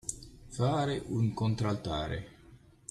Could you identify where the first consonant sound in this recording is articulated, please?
labial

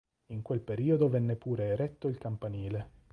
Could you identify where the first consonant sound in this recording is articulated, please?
velar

